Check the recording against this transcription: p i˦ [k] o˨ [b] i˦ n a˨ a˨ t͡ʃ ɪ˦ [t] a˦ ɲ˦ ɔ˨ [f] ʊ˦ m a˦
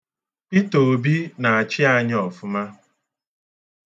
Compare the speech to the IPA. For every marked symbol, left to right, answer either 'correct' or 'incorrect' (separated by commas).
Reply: incorrect, correct, incorrect, correct